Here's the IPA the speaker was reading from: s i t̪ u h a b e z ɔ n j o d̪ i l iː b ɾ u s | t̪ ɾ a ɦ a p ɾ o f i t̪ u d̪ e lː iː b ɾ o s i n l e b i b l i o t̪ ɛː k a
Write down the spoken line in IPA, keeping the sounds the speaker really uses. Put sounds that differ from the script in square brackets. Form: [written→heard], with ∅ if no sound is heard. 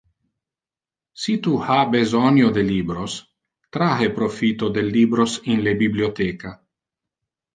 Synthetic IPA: s i t̪ u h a b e z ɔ n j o d̪ [i→e] l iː b ɾ [u→o] s | t̪ ɾ a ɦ [a→e] p ɾ o f i t̪ [u→o] d̪ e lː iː b ɾ o s i n l e b i b l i o t̪ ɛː k a